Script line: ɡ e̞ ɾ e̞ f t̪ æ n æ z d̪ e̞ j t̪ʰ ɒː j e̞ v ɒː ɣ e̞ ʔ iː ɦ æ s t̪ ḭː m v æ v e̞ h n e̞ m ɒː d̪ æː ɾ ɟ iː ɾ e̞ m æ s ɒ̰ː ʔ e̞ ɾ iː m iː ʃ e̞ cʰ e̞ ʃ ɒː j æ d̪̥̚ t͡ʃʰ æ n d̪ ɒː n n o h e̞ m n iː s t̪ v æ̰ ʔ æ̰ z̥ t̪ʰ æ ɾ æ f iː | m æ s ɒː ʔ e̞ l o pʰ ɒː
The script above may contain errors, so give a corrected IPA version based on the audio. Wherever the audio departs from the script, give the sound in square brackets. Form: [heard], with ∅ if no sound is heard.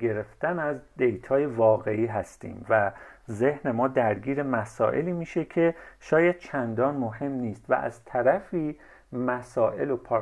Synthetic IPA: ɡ e̞ ɾ e̞ f t̪ æ n æ z d̪ e̞ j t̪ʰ ɒː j e̞ v ɒː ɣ e̞ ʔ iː ɦ æ s t̪ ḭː m v æ [z] e̞ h n e̞ m ɒː d̪ [æ] ɾ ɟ iː ɾ e̞ m æ s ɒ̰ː ʔ e̞ [l] iː m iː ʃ e̞ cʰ e̞ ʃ ɒː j æ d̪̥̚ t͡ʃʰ æ n d̪ ɒː n [m] o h e̞ m n iː s t̪ v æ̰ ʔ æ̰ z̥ t̪ʰ æ ɾ æ f iː | m æ s ɒː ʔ e̞ l o pʰ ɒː